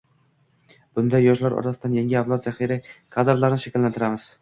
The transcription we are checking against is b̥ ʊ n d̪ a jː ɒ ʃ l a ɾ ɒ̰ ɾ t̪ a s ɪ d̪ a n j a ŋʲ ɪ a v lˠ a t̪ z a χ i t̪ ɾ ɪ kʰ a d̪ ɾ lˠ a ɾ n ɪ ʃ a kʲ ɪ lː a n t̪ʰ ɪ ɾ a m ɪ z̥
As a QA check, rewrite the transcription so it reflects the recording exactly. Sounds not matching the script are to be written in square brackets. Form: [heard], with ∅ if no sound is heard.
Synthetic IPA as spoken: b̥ ʊ n d̪ a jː ɒ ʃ l a ɾ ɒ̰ ɾ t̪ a s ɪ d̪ a n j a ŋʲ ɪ a v lˠ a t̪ z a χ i [∅] ɾ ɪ kʰ a d̪ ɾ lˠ a ɾ n ɪ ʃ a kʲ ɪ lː a n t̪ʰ ɪ ɾ a m ɪ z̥